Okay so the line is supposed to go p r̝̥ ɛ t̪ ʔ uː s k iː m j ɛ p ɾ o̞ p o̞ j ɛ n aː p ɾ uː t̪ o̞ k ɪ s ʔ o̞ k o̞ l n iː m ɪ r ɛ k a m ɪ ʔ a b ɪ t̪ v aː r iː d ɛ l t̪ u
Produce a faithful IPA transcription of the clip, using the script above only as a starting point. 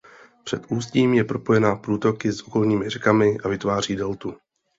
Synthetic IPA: p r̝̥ ɛ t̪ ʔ uː s c iː m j ɛ p ɾ o̞ p o̞ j ɛ n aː p ɾ uː t̪ o̞ k ɪ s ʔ o̞ k o̞ l ɲ iː m ɪ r ɛ k a m ɪ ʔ a v ɪ t̪ v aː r iː d ɛ l t̪ u